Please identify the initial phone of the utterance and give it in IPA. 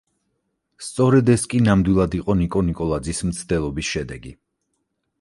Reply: s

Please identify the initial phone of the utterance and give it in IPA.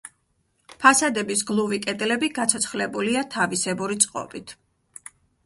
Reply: pʰ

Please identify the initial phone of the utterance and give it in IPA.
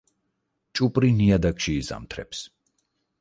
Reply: t͡ʃʼ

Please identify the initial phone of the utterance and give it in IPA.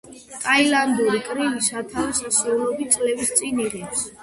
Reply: t̪ʼ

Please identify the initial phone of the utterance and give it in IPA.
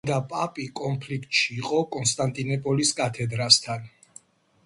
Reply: d̪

